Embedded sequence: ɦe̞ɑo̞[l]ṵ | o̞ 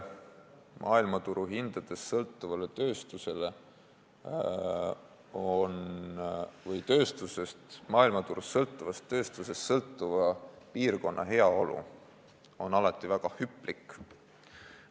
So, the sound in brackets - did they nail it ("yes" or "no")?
yes